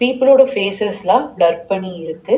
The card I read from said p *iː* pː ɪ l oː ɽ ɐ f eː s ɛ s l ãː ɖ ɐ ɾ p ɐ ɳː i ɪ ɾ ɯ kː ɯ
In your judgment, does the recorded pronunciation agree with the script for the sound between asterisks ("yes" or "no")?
yes